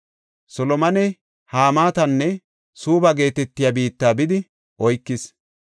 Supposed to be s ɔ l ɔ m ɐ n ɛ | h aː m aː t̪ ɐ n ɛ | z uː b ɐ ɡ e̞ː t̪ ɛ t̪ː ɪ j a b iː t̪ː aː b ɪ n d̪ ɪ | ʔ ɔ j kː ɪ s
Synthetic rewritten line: s ɔ l ɔ m ɐ n ɛ | h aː m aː t̪ ɐ nː ɛ | s uː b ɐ ɡ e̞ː t̪ ɛ t̪ː ɪ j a b iː t̪ː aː b ɪ d̪ ɪ | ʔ ɔ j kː ɪ s